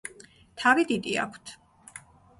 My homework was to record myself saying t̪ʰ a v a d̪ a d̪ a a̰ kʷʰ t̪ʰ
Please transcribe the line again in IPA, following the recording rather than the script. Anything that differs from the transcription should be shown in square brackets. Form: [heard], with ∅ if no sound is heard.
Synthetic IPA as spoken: t̪ʰ a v [i] d̪ [i] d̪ [i] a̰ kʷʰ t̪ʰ

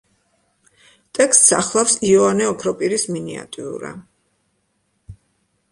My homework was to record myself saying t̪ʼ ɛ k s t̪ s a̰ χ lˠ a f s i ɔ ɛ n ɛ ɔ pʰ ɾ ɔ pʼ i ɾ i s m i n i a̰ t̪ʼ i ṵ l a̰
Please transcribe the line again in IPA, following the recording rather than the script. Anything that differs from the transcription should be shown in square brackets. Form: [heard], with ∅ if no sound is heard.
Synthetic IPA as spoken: t̪ʼ ɛ k s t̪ s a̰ χ lˠ a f s i ɔ [a] n ɛ ɔ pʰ ɾ ɔ pʼ i ɾ i s m i n i a̰ t̪ʼ i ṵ [ɾ] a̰

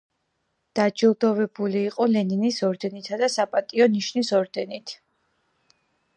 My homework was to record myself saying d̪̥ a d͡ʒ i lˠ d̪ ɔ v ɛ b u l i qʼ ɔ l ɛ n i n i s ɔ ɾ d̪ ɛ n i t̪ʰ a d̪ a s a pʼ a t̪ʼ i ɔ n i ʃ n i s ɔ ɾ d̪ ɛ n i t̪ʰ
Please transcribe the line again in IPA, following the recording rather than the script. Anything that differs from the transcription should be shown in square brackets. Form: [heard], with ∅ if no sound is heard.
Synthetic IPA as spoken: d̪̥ a d͡ʒ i lˠ d̪ ɔ v ɛ b u l [iː] qʼ ɔ l ɛ n i n i s ɔ ɾ d̪ ɛ n i t̪ʰ a d̪ a s a pʼ a t̪ʼ i ɔ n i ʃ n i s ɔ ɾ d̪ ɛ n i t̪ʰ

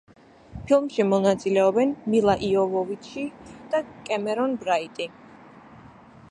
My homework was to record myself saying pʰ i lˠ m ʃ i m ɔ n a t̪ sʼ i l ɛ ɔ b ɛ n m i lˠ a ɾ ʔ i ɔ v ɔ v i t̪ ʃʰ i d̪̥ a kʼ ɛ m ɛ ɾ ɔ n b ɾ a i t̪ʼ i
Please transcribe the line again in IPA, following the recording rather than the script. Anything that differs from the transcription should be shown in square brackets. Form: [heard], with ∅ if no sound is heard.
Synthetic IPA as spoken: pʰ i lˠ m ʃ i m ɔ n a t̪ sʼ i l ɛ ɔ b ɛ n m i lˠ a [∅] ʔ i ɔ v ɔ v i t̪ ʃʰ i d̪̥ a kʼ ɛ m ɛ ɾ ɔ n b ɾ a i t̪ʼ i

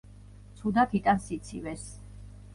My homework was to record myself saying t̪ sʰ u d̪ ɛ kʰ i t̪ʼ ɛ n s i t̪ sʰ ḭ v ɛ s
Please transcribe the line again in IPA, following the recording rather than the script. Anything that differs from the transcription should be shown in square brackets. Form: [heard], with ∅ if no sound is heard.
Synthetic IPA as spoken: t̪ sʰ u d̪ [a] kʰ i t̪ʼ [a] n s i t̪ sʰ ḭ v ɛ s

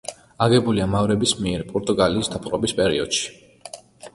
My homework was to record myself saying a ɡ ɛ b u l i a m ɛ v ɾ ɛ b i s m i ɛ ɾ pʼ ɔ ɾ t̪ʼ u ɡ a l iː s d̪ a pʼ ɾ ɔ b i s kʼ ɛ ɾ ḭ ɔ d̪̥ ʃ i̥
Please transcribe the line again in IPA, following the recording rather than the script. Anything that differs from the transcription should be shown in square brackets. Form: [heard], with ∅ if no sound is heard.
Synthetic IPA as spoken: a ɡ ɛ b u l i a m [a] v ɾ ɛ b i s m i ɛ ɾ pʼ ɔ ɾ t̪ʼ u ɡ a l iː s d̪ a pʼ ɾ ɔ b i s [pʼ] ɛ ɾ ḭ ɔ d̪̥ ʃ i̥

